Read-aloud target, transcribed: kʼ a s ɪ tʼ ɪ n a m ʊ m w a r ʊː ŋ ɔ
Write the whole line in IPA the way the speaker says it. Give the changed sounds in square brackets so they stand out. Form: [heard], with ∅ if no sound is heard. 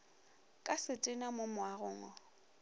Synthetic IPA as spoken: kʼ a s ɪ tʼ ɪ n a m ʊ m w a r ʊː ŋ ɔ